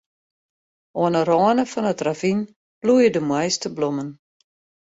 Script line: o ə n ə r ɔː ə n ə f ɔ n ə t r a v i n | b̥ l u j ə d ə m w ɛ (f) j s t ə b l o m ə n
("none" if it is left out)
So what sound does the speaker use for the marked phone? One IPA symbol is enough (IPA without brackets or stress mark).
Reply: none